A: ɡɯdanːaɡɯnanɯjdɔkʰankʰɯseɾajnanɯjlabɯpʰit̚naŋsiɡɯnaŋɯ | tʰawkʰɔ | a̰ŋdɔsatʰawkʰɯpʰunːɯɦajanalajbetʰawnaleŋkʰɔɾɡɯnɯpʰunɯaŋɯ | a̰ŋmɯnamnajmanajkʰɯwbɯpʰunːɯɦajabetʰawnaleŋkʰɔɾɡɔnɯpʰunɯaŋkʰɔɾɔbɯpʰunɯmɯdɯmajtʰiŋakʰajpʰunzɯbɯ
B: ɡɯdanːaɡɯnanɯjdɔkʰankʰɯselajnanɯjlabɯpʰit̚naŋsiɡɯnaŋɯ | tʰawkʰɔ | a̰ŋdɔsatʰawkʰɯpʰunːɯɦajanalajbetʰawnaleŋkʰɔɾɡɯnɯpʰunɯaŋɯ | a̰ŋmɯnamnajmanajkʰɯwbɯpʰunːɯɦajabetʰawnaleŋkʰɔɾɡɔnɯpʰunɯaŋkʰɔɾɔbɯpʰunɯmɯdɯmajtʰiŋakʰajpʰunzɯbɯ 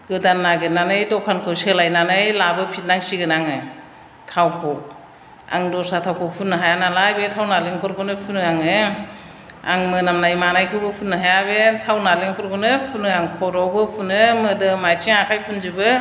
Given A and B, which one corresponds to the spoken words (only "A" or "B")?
B